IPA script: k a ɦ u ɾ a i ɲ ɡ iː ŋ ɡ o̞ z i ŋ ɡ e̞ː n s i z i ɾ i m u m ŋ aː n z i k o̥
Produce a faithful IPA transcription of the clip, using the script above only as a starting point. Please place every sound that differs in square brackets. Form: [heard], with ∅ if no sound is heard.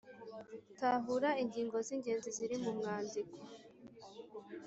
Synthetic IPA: [t] a ɦ u ɾ a i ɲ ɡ iː ŋ ɡ o̞ z i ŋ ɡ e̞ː n [z] i z i ɾ i m u m ŋ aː n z i k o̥